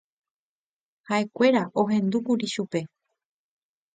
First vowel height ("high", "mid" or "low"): low